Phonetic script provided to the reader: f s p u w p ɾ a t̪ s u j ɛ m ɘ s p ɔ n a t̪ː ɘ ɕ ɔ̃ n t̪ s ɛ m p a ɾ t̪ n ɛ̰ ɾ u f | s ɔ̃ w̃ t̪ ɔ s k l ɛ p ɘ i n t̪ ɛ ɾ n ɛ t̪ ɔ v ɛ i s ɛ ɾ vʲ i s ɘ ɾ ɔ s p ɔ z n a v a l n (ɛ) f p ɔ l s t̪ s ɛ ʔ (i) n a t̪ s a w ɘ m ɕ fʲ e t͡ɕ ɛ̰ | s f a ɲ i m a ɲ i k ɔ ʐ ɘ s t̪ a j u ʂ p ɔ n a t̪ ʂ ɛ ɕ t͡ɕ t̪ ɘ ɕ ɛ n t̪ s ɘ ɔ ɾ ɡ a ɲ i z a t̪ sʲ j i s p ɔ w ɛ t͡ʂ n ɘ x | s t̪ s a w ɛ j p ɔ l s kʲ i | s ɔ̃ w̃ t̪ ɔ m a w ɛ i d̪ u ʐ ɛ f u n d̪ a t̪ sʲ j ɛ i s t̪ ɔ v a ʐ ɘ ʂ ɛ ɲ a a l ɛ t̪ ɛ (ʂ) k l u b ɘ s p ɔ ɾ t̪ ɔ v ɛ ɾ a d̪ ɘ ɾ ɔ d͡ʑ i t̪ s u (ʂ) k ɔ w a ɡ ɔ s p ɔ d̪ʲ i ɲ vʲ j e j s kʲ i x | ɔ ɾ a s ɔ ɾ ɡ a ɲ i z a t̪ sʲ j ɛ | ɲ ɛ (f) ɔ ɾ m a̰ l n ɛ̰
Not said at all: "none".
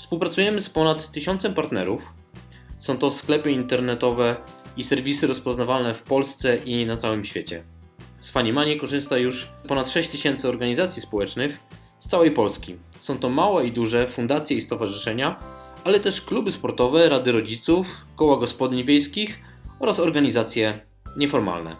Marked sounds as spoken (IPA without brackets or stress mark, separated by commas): ɛ, i, ʂ, f, f